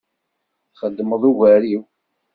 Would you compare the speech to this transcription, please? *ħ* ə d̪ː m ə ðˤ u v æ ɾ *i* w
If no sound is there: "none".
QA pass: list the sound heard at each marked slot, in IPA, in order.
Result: χ, i

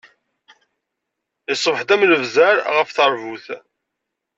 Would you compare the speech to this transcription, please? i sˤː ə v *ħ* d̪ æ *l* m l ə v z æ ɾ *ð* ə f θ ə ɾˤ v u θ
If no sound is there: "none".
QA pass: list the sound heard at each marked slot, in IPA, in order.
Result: ħ, none, ʁ

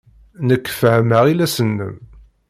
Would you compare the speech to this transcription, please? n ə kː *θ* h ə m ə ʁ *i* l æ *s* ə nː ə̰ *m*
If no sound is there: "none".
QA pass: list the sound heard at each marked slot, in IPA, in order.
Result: f, i, s, m

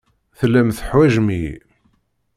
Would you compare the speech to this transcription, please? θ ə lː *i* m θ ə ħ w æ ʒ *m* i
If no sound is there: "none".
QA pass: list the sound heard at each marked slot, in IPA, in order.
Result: æ, m

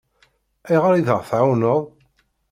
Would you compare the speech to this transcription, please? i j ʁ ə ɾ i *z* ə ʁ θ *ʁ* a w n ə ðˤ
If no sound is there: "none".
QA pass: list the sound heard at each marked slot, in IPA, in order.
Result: ð, ʕ

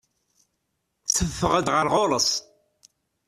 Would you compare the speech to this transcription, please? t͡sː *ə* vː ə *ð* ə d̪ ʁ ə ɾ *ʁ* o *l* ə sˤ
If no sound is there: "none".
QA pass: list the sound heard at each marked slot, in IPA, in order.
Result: ə, ʁ, ʁ, l

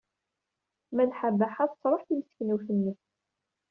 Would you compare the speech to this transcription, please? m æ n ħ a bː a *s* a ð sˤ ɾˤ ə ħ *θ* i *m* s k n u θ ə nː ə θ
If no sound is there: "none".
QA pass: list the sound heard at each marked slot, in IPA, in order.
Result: ħ, θ, m

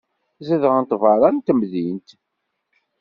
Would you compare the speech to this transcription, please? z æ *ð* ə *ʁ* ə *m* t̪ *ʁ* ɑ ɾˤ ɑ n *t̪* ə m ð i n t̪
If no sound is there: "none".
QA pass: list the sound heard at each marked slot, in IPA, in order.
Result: ð, ʁ, n, v, t̪

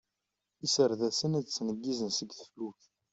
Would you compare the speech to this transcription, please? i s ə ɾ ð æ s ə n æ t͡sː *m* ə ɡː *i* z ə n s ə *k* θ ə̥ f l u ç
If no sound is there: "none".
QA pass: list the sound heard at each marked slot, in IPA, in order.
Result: n, i, ɡ

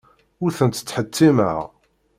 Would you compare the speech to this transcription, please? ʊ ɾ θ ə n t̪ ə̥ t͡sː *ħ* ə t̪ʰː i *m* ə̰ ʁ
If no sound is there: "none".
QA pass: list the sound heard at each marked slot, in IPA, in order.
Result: ħ, m

